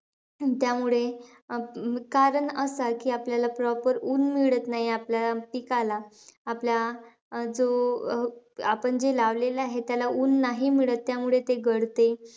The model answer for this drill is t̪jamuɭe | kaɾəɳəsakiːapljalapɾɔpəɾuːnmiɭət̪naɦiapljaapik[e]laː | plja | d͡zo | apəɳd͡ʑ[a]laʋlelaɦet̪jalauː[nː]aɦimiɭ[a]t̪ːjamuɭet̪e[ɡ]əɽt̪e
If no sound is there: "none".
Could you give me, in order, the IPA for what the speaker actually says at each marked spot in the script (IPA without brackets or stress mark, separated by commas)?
a, e, nː, ə, ɡ